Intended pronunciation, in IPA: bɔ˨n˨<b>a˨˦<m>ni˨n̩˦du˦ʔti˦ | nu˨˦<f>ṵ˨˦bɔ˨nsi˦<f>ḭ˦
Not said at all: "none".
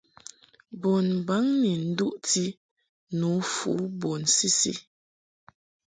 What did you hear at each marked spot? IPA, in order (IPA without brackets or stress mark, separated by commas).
b, ŋ, f, s